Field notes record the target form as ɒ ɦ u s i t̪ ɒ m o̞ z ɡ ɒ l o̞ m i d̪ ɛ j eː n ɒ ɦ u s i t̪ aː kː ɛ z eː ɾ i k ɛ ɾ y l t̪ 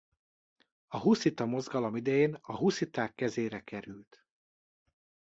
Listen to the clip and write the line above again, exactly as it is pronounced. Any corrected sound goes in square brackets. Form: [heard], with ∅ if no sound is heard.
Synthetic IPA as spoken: ɒ ɦ u s i t̪ ɒ m o̞ z ɡ ɒ l o̞ m i d̪ ɛ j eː n ɒ ɦ u s i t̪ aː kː ɛ z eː ɾ [ɛ] k ɛ ɾ y l t̪

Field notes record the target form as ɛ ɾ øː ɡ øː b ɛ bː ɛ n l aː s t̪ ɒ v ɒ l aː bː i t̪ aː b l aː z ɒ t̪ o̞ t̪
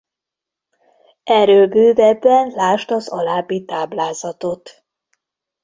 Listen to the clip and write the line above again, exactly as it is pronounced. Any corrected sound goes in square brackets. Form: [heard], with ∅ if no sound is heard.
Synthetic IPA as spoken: ɛ ɾ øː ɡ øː [v] ɛ bː ɛ n l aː [ʃ] t̪ ɒ [z] ɒ l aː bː i t̪ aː b l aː z ɒ t̪ o̞ t̪

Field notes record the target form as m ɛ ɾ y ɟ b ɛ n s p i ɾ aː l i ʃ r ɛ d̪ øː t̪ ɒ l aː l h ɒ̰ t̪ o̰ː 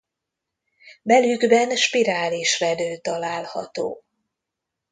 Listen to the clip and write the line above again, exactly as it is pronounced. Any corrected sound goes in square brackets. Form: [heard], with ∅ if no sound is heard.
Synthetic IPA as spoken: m ɛ [l] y [ɡ] b ɛ n [ʃ] p i ɾ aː l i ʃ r ɛ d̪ øː t̪ ɒ l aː l h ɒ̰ t̪ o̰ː

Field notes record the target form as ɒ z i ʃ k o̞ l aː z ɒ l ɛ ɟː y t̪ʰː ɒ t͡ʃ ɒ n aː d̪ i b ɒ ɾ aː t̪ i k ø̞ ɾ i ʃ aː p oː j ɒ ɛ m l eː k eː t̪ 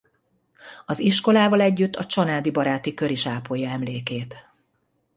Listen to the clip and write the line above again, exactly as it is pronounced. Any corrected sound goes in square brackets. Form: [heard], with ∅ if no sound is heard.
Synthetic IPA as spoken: ɒ z i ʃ k o̞ l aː [v] ɒ l ɛ ɟː y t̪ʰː ɒ t͡ʃ ɒ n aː d̪ i b ɒ ɾ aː t̪ i k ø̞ ɾ i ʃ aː p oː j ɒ ɛ m l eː k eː t̪

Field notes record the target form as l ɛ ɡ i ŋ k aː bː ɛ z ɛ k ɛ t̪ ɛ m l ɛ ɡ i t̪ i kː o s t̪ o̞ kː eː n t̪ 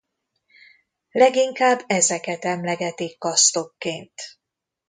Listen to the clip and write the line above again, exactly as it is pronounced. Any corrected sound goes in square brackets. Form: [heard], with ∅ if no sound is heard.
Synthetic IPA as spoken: l ɛ ɡ i ŋ k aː bː ɛ z ɛ k ɛ t̪ ɛ m l ɛ ɡ [ɛ] t̪ i kː [ɒ] s t̪ o̞ kː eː n t̪

